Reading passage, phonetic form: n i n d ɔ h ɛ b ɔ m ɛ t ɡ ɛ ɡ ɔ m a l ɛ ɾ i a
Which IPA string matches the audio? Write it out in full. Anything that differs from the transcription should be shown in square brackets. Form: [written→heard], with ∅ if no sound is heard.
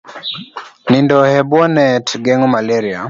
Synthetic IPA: n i n d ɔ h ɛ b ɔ [m→n] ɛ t ɡ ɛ [ɡ→ŋ] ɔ m a l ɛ ɾ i a